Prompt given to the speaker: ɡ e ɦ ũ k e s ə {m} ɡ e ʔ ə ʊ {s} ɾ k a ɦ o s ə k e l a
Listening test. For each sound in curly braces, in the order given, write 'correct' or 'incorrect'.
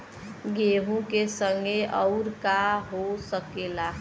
incorrect: ŋ, incorrect: none

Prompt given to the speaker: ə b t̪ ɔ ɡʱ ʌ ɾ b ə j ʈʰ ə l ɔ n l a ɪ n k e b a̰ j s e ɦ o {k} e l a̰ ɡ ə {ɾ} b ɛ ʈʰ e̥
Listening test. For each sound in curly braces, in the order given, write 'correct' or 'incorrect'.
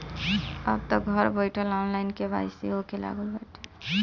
correct, incorrect: l

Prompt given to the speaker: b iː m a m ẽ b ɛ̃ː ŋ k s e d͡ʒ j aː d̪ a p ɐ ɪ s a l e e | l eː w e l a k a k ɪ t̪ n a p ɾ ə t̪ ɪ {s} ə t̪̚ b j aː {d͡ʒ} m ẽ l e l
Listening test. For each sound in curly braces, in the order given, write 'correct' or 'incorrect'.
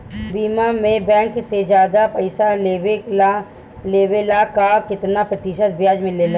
incorrect: ʃ, correct

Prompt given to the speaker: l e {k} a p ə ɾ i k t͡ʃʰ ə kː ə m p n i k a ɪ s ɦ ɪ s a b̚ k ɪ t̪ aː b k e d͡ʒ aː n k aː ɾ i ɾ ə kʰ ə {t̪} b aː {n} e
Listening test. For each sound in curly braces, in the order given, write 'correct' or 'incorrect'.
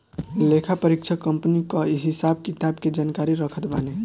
incorrect: kʰ, correct, correct

